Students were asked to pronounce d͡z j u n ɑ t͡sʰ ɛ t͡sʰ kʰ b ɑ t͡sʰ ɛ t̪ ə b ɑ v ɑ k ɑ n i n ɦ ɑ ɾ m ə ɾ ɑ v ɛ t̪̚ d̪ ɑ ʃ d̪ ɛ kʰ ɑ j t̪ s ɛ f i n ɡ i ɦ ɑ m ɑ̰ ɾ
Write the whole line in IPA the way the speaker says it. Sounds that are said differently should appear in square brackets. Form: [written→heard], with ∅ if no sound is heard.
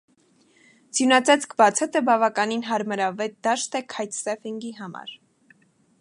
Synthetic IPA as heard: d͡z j u n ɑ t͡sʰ ɛ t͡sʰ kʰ b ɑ t͡sʰ ɛ t̪ ə b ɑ v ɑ k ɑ n i n ɦ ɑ ɾ m ə ɾ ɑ v ɛ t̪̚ d̪ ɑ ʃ [d̪→t̪] ɛ kʰ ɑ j t̪ s ɛ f i [n→ŋ] ɡ i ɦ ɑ m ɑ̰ ɾ